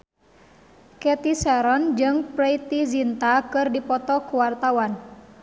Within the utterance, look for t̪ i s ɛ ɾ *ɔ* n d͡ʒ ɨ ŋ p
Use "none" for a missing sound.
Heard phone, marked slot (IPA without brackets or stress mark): ɔ